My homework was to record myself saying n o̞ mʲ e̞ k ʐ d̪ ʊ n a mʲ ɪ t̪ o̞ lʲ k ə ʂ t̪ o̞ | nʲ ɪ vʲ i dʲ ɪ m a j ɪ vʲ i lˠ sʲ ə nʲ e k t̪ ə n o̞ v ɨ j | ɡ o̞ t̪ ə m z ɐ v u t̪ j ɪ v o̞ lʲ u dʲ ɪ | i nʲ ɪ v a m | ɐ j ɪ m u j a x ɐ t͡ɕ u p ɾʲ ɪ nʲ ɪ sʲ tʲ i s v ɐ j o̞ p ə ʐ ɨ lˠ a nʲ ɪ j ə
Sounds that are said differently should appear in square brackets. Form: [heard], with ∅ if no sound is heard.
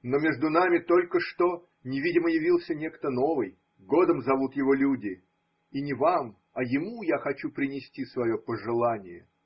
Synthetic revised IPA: n o̞ mʲ e̞ [∅] ʐ d̪ ʊ n a mʲ ɪ t̪ o̞ lʲ k ə ʂ t̪ o̞ | nʲ ɪ vʲ i dʲ ɪ m [ə] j ɪ vʲ i lˠ sʲ ə nʲ e k t̪ ə n o̞ v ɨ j | ɡ o̞ [d̪] ə m z ɐ v u t̪ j ɪ v o̞ lʲ u dʲ ɪ | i nʲ ɪ v a m | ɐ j ɪ m u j a x ɐ t͡ɕ u p ɾʲ ɪ nʲ ɪ sʲ tʲ i s v ɐ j o̞ p ə ʐ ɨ lˠ a nʲ ɪ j ə

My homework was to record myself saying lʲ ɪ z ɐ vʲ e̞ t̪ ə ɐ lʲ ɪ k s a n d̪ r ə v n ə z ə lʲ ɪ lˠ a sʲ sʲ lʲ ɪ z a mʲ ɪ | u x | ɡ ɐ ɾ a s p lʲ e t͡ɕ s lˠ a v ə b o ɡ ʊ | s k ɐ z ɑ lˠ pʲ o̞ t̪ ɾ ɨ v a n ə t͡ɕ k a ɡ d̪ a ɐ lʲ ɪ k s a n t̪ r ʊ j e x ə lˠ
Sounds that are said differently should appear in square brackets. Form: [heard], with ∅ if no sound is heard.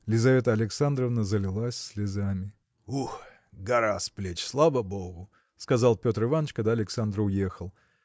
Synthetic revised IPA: lʲ ɪ z ɐ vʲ e̞ t̪ ə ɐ lʲ ɪ k s a n d̪ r ə v n ə z ə lʲ ɪ lˠ a sʲ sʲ lʲ ɪ z a mʲ ɪ | u x | ɡ ɐ ɾ a s p lʲ e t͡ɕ s lˠ a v ə b o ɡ ʊ | s k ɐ z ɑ lˠ pʲ o̞ t̪ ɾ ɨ v a n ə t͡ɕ k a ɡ d̪ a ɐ lʲ ɪ k s a n [d̪] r ʊ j e x ə lˠ

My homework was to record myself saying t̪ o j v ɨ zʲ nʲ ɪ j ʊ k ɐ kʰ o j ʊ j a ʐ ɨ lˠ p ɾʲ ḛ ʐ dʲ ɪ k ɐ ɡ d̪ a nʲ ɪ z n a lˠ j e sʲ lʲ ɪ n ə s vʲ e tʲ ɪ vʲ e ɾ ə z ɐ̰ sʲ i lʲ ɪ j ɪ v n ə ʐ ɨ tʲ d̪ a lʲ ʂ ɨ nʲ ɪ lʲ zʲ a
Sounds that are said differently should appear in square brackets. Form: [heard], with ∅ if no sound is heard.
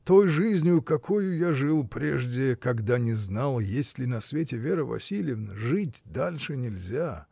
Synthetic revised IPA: t̪ o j [ʐ] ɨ zʲ nʲ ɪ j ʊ k ɐ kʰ o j ʊ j a ʐ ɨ lˠ p ɾʲ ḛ ʐ dʲ ɪ k ɐ ɡ d̪ a nʲ ɪ z n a lˠ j e sʲ lʲ ɪ n [ɐ] s vʲ e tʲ ɪ vʲ e ɾ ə [v] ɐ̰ sʲ i lʲ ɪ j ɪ v n ə ʐ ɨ tʲ d̪ a lʲ ʂ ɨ nʲ ɪ lʲ zʲ a

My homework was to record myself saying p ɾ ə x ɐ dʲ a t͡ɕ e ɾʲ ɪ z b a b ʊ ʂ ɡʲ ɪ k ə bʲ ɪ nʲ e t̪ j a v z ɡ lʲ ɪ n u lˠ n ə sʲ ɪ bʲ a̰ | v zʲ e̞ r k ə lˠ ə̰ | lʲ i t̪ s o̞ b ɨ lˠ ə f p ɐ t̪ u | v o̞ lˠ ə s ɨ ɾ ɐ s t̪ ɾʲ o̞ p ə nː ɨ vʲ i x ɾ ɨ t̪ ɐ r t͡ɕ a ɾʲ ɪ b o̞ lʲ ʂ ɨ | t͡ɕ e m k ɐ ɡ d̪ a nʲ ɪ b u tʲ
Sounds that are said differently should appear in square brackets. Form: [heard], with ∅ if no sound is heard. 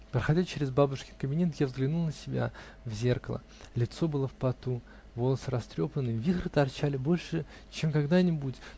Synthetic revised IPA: p ɾ ə x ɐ dʲ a t͡ɕ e ɾʲ ɪ z b a b ʊ ʂ [kʲ] ɪ k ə bʲ ɪ nʲ e t̪ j a v z ɡ lʲ ɪ n u lˠ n ə sʲ ɪ bʲ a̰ | v zʲ e̞ r k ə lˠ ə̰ | lʲ [ɪ] t̪ s o̞ b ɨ lˠ ə f p ɐ t̪ u | v o̞ lˠ ə s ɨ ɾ ɐ s t̪ ɾʲ o̞ p ə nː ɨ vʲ i x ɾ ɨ t̪ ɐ r t͡ɕ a [lʲ] ɪ b o̞ lʲ ʂ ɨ | t͡ɕ e m k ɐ ɡ d̪ a nʲ ɪ b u tʲ

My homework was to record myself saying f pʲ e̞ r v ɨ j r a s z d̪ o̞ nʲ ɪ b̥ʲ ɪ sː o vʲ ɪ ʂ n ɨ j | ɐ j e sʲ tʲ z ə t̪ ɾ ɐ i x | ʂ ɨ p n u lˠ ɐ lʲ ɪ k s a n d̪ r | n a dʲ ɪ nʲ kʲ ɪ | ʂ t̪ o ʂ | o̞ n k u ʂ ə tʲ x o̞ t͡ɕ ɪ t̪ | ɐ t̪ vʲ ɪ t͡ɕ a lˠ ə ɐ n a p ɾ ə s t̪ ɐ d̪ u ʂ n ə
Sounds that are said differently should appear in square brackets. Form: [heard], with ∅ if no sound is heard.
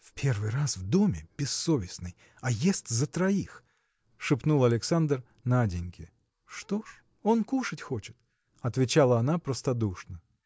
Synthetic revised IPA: f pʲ e̞ r v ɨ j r a s [v] d̪ o̞ [mʲ] ɪ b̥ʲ ɪ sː o vʲ ɪ [s] n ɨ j | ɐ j e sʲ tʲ z ə t̪ ɾ ɐ i x | ʂ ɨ p n u lˠ ɐ lʲ ɪ k s a n d̪ r | n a dʲ ɪ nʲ kʲ ɪ | ʂ t̪ o ʂ | o̞ n k u ʂ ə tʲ x o̞ t͡ɕ ɪ t̪ | ɐ t̪ vʲ ɪ t͡ɕ a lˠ ə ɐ n a p ɾ ə s t̪ ɐ d̪ u ʂ n ə

